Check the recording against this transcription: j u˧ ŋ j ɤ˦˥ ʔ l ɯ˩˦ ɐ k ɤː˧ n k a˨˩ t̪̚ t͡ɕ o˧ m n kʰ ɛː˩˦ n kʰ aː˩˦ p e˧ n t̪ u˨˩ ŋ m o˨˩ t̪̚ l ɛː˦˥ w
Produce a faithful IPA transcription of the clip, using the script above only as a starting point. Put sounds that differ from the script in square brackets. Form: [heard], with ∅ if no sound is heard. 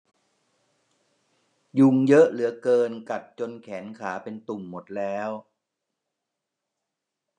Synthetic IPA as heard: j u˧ ŋ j ɤ˦˥ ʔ l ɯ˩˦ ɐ k ɤː˧ n k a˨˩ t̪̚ t͡ɕ o˧ [∅] n kʰ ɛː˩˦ n kʰ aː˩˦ p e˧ n t̪ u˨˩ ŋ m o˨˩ t̪̚ l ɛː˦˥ w